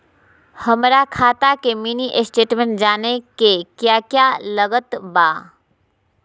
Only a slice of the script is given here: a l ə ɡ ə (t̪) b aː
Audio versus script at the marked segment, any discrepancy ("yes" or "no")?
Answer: no